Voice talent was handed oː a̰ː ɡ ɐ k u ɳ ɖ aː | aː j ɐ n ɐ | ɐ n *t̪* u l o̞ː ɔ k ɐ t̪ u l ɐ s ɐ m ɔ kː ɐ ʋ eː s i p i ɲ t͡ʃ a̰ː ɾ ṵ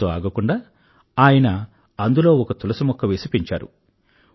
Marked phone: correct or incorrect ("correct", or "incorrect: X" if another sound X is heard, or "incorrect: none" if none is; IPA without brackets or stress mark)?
incorrect: d̪